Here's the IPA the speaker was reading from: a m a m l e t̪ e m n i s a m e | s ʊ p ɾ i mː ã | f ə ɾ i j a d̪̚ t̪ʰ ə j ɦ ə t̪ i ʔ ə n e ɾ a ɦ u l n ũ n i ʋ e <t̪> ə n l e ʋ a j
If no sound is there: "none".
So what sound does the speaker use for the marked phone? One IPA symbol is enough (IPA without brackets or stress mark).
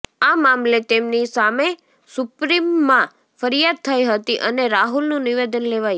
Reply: d̪